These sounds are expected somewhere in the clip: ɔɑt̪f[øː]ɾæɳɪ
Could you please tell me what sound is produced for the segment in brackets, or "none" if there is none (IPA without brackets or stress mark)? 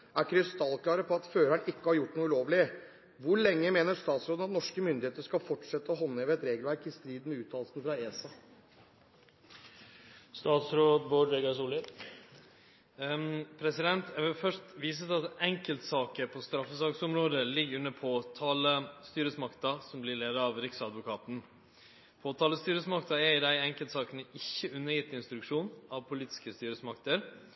øː